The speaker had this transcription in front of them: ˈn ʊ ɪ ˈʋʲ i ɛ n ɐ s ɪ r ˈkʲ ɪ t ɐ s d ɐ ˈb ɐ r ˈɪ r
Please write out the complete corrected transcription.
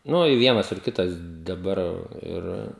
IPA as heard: ˈn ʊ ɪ ˈʋʲ i ɛ n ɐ s ɪ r ˈkʲ ɪ t ɐ s d ɐ ˈb ɐ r ˈɪ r